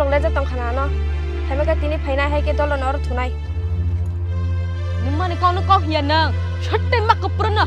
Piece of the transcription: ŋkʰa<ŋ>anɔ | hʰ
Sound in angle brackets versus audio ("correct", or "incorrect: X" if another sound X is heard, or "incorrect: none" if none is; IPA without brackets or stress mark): incorrect: n